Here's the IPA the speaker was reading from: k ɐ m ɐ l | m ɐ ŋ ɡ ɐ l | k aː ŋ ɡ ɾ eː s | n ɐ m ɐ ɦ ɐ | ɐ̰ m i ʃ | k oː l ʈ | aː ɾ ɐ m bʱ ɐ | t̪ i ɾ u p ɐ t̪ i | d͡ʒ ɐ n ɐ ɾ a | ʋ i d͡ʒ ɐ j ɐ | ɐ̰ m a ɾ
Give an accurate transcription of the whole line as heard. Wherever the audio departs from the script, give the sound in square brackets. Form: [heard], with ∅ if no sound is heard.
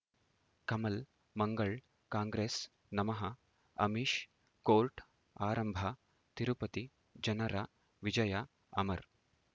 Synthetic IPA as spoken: k ɐ m ɐ l | m ɐ ŋ ɡ ɐ [ɭ] | k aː ŋ ɡ ɾ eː s | n ɐ m ɐ ɦ ɐ | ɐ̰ m i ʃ | k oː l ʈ | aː ɾ ɐ m bʱ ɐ | t̪ i ɾ u p ɐ t̪ i | d͡ʒ ɐ n ɐ ɾ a | ʋ i d͡ʒ ɐ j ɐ | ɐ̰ m [ɐ] ɾ